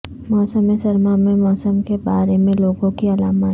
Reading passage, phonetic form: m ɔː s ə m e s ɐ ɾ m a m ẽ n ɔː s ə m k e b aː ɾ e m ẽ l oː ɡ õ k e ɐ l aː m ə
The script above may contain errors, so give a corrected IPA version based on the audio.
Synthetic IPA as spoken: m ɔː s ə m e s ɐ ɾ m a m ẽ m ɔː s ə m k e b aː ɾ e m ẽ l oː ɡ õ k i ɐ l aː m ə